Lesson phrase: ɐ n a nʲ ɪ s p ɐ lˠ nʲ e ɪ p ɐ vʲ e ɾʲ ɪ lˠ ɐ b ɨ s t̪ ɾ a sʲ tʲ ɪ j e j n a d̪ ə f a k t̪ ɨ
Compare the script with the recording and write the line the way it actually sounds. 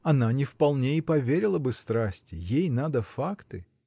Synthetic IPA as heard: ɐ n a nʲ ɪ f p ɐ lˠ nʲ e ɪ p ɐ vʲ e ɾʲ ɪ lˠ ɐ b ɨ s t̪ ɾ a sʲ tʲ ɪ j e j n a d̪ ə f a k t̪ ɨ

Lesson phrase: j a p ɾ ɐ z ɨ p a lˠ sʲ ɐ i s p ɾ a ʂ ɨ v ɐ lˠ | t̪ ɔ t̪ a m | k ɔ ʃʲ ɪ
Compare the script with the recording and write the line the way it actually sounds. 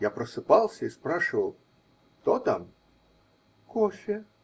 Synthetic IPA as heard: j a p ɾ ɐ s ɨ p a lˠ sʲ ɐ i s p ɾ a ʂ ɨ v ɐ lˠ | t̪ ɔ t̪ a m | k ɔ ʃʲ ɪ

